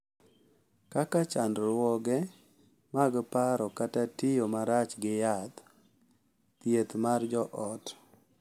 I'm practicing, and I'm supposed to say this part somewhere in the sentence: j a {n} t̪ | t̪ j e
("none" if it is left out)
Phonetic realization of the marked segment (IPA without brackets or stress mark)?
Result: none